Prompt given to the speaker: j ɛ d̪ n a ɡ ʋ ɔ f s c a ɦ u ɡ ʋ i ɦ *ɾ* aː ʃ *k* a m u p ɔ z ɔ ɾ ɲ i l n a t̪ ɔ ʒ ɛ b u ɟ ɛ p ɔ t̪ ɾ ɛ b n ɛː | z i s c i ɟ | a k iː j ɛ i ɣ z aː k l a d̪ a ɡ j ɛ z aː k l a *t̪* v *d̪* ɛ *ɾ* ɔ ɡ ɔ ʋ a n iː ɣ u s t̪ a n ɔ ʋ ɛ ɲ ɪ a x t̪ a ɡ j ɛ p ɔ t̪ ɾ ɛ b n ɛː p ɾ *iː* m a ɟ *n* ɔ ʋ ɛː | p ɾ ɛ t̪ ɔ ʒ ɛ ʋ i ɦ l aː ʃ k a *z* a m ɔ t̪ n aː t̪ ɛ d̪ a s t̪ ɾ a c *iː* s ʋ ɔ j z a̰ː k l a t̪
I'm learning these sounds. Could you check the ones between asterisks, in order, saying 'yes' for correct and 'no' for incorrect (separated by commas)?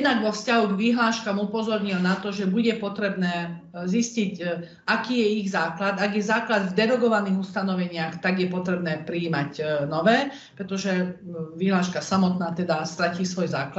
no, yes, no, yes, yes, yes, yes, no, yes